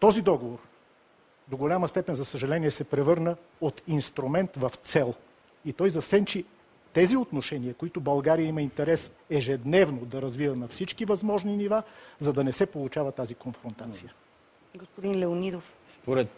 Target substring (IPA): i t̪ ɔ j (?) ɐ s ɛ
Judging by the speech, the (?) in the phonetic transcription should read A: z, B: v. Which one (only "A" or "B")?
A